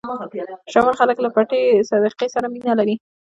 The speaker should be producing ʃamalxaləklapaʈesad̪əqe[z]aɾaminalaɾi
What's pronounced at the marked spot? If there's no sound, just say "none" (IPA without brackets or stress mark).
s